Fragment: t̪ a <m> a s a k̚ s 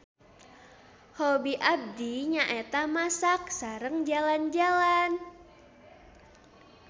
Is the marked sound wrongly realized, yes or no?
no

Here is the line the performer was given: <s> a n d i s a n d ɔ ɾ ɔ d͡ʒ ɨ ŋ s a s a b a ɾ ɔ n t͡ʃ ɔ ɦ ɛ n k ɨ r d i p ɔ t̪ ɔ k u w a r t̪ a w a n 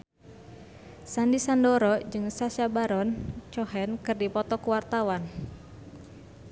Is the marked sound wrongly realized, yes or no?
no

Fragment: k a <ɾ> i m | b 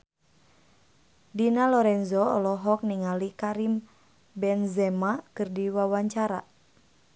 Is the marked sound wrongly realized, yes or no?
no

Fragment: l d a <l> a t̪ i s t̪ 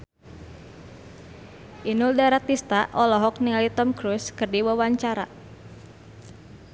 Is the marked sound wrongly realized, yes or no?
yes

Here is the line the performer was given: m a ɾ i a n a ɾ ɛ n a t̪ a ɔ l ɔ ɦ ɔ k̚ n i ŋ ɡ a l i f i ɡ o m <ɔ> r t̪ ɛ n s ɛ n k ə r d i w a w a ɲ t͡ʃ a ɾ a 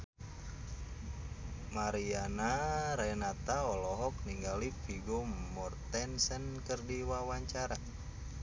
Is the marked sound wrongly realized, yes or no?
no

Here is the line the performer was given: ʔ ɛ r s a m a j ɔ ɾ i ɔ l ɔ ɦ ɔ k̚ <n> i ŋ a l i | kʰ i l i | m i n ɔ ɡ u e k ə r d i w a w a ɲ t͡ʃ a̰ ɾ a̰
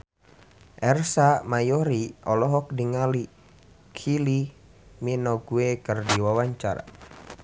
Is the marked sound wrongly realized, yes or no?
yes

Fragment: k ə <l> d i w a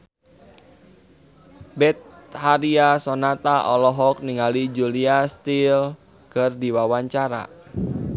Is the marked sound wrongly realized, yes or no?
yes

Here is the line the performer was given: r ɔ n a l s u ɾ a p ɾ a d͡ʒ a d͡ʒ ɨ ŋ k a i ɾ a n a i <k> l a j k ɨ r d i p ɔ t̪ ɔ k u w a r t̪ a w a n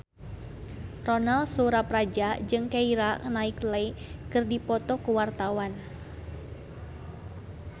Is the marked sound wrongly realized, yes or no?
no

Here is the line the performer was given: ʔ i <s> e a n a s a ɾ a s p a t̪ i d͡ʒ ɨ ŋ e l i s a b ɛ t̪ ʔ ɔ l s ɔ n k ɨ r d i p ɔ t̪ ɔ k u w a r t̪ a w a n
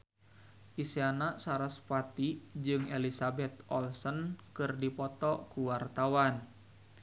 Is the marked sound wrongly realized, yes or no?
no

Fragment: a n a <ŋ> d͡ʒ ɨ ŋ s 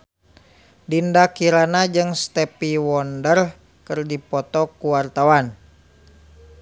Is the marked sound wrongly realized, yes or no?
yes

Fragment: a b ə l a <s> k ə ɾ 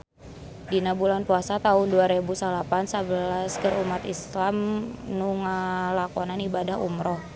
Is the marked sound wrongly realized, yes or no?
no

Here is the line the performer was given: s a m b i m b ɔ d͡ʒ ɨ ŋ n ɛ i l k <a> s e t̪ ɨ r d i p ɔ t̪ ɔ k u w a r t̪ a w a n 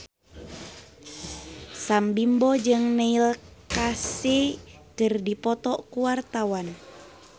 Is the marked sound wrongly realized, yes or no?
no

